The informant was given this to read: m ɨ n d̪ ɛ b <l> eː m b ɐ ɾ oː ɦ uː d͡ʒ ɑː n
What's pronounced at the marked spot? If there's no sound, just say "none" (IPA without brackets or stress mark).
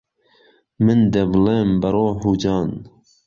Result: l